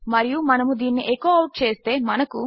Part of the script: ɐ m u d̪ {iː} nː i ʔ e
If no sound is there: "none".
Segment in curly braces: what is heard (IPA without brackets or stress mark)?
iː